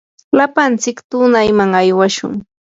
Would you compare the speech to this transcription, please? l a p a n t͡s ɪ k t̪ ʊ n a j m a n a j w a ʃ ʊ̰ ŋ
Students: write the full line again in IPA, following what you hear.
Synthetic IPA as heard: l a p a n t͡s ɪ k t̪ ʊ n a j m a ŋ a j w a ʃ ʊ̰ ŋ